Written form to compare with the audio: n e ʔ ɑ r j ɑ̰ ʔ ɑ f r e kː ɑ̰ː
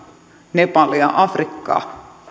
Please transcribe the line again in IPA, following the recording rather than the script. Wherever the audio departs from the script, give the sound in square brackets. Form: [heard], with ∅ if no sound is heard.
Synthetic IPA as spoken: n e [p] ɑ [l] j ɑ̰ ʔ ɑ f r [i] kː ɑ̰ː